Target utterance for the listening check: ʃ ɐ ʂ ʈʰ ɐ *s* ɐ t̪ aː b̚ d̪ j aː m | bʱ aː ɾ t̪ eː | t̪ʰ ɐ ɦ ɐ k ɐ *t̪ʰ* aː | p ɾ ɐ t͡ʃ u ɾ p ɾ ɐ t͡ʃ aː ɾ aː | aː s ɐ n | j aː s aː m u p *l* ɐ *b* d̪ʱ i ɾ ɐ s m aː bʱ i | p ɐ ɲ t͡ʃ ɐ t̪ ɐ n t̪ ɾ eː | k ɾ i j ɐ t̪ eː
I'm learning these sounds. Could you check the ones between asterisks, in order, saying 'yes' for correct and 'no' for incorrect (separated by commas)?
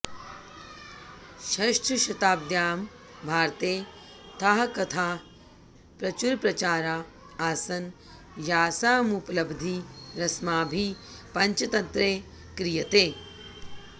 no, yes, yes, yes